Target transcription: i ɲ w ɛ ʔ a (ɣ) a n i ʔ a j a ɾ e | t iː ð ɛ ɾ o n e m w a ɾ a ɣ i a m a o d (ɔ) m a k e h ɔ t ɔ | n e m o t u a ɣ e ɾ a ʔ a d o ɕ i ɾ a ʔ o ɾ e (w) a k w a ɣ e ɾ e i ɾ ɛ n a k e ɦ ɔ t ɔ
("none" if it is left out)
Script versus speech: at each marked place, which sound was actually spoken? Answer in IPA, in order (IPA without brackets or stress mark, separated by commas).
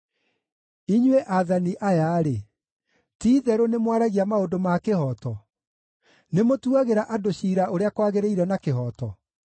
ð, o, none